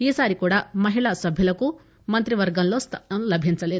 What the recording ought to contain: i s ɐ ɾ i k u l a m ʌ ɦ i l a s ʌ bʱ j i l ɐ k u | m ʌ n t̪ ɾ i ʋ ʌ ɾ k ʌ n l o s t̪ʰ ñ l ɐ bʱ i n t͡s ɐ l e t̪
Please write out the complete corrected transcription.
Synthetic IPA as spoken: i s a ɾ i k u ɽ a m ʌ ɦ i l a s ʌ bʱ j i l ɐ k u | m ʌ n t̪ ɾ i ʋ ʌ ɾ ɡ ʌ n l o s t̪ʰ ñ l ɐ bʱ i n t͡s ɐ l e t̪